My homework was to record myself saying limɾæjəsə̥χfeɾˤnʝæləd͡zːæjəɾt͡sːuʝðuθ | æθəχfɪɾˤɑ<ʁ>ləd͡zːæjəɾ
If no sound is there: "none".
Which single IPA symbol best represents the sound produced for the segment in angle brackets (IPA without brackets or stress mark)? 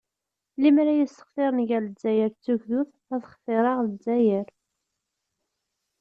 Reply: ʁ